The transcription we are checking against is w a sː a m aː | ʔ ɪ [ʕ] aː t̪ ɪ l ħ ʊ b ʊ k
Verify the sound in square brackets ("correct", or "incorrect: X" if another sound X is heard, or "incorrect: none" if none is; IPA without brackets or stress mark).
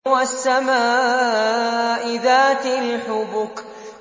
incorrect: ð